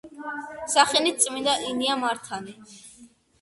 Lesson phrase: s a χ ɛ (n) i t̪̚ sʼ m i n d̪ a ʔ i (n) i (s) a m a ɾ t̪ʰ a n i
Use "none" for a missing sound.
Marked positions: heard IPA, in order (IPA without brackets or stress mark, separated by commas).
n, n, none